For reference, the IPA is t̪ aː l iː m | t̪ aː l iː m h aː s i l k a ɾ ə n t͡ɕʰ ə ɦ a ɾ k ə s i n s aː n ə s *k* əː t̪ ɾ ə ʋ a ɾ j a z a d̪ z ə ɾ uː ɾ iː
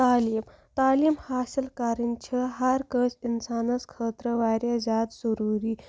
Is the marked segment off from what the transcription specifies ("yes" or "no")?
yes